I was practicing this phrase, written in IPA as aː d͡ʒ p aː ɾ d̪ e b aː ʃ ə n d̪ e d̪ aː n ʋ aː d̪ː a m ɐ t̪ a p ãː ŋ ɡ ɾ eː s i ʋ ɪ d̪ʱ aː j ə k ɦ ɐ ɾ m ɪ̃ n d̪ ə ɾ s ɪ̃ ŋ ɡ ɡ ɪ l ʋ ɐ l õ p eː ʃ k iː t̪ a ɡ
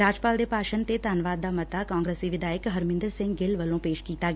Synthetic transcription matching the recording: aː d͡ʒ p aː l d̪ e p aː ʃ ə n t̪ e t̪ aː n ʋ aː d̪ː a m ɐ t̪ a k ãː ŋ ɡ ɾ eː s i ʋ ɪ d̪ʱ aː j ə k ɦ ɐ ɾ m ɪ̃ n d̪ ə ɾ s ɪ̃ ŋ ɡ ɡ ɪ l ʋ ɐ l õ p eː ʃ k iː t̪ a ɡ